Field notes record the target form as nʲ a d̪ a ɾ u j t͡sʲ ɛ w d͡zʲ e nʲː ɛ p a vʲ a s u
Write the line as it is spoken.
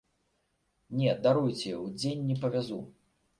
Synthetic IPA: nʲ ɛ d̪ a ɾ u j t͡sʲ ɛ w d͡zʲ e nʲː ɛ p ɐ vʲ a z u